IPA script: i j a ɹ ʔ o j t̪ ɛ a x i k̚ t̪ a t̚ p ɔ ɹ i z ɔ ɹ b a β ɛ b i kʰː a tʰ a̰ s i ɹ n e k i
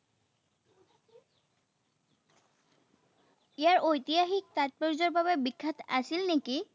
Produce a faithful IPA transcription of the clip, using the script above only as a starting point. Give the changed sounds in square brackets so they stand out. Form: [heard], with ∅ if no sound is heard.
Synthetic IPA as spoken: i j a ɹ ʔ o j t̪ [i] a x i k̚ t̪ a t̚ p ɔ ɹ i z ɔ ɹ b a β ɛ b i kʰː a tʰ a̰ s i [l] n e k i